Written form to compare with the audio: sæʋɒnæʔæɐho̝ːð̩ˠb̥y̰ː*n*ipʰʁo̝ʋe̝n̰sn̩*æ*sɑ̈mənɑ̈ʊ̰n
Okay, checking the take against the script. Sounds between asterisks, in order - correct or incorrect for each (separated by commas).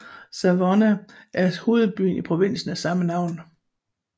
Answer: correct, correct